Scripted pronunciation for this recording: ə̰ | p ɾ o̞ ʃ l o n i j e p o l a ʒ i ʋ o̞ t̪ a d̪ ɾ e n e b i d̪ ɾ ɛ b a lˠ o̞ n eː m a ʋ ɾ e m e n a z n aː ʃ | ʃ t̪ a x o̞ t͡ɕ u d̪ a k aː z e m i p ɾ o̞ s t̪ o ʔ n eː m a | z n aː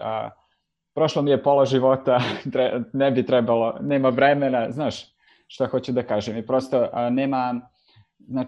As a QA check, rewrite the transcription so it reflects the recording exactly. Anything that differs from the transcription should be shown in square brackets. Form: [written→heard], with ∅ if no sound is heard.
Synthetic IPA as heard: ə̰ | p ɾ o̞ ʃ l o [n→m] i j e p o l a ʒ i ʋ o̞ t̪ a [d̪→t̪] ɾ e n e b i [d̪→t̪] ɾ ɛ b a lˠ o̞ n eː m a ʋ ɾ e m e n a z n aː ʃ | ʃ t̪ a x o̞ t͡ɕ u d̪ a k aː [z→ʒ] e m i p ɾ o̞ s t̪ o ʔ n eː m a | z n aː